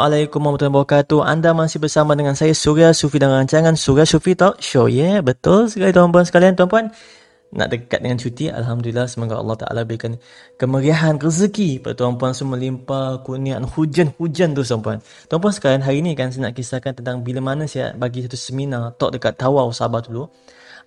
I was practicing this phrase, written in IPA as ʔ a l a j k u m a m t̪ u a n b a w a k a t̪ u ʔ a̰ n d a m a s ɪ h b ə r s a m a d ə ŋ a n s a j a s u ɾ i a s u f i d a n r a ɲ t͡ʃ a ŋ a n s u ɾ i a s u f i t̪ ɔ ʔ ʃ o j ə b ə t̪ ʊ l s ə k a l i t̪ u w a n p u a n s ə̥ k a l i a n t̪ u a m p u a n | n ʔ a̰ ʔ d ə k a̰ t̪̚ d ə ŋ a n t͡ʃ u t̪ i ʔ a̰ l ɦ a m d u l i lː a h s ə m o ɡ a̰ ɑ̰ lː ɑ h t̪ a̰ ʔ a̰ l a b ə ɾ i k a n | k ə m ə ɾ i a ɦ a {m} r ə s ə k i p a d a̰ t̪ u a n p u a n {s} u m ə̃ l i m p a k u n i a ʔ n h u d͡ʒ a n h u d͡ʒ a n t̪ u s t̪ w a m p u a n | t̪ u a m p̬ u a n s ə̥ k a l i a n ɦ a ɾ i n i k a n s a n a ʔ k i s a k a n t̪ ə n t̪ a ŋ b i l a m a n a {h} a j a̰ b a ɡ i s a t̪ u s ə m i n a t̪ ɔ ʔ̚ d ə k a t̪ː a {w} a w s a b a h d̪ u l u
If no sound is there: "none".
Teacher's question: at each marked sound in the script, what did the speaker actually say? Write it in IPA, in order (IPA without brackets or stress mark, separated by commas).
n, s, s, w